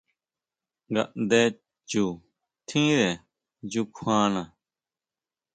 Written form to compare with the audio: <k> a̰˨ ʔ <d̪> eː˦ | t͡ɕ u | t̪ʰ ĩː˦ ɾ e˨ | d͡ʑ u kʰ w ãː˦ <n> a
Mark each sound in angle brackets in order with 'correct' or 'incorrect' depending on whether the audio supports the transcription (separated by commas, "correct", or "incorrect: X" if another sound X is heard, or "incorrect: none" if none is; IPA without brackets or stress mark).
incorrect: ɡ, correct, correct